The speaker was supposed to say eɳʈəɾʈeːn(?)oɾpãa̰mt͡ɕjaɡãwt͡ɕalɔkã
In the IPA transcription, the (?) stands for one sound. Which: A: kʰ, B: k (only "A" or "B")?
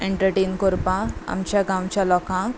B